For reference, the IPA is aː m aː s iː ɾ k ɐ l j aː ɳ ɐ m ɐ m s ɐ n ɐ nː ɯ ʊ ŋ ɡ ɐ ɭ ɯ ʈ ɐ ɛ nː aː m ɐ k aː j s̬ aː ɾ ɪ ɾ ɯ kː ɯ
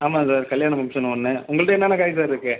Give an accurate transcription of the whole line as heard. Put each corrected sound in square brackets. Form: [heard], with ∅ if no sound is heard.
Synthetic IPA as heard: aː m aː s [aː] ɾ k ɐ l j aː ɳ ɐ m ɐ m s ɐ n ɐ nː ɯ ʊ ŋ ɡ ɐ ɭ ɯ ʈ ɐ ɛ nː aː [n] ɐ k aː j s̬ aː ɾ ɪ ɾ ɯ kː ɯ